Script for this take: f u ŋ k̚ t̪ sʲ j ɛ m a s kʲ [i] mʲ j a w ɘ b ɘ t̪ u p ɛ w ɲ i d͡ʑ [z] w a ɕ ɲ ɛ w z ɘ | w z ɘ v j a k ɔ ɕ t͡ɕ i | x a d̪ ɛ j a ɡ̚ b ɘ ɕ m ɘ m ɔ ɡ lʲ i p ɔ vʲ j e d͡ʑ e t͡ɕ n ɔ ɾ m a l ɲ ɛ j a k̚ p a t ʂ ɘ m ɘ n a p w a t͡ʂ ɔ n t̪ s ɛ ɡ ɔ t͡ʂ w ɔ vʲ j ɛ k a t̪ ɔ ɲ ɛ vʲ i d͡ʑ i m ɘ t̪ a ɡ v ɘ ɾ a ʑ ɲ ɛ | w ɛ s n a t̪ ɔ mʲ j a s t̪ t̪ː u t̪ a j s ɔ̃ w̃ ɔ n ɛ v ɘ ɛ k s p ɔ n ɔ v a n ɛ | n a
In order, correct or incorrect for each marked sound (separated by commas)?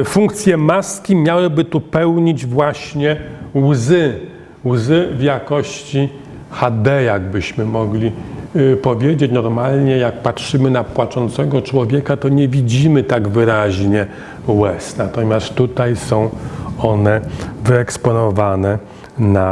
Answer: correct, incorrect